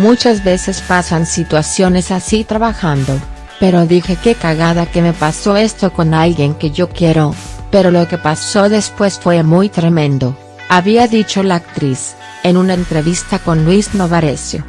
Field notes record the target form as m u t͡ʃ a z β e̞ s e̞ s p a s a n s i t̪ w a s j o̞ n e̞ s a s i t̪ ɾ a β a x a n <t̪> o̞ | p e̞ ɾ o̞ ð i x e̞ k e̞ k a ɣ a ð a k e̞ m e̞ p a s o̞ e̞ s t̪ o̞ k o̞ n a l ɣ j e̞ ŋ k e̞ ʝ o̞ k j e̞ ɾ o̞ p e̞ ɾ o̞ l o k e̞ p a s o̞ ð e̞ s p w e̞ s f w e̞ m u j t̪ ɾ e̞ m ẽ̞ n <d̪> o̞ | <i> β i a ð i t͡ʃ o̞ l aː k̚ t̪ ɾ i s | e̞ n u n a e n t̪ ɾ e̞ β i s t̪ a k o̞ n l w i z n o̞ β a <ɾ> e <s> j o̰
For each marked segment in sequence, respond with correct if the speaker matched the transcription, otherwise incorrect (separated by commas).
incorrect, correct, incorrect, correct, correct